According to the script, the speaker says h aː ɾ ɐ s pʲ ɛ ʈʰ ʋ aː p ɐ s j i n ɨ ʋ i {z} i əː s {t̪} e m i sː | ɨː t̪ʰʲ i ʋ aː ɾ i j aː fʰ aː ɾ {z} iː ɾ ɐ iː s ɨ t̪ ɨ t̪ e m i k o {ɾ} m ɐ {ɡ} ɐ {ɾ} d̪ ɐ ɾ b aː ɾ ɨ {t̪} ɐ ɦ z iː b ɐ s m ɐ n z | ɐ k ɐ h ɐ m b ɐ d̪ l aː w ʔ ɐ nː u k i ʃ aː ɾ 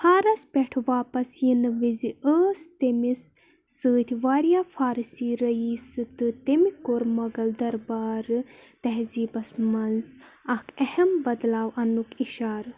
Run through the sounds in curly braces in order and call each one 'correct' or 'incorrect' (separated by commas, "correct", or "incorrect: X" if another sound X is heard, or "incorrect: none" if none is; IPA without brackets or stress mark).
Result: correct, correct, incorrect: s, correct, correct, incorrect: l, correct